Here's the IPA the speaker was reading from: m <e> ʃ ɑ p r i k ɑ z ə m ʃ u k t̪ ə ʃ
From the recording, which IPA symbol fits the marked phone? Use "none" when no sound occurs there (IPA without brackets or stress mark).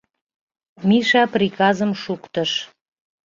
i